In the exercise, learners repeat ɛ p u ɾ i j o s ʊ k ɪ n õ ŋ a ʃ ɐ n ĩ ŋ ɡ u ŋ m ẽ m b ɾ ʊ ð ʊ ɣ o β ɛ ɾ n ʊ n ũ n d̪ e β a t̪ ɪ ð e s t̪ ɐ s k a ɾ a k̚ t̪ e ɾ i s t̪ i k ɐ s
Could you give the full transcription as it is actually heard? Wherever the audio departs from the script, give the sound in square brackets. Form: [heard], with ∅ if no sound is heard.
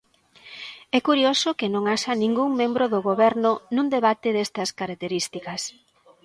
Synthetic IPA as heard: ɛ [k] u ɾ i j o s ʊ k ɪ n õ ŋ a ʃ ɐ n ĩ ŋ ɡ u ŋ m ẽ m b ɾ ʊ ð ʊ ɣ o β ɛ ɾ n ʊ n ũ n d̪ e β a t̪ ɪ ð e s t̪ ɐ s k a ɾ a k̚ t̪ e ɾ i s t̪ i k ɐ s